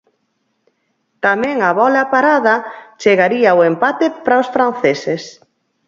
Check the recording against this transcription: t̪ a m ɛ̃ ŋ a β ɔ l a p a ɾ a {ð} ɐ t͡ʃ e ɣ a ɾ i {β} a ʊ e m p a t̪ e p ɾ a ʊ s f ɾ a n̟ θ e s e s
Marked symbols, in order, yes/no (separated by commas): yes, no